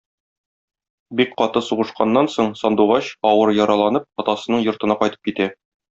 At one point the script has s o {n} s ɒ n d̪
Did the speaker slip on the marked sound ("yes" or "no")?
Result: yes